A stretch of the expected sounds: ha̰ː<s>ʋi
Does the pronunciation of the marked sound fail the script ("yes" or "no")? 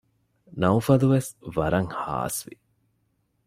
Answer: no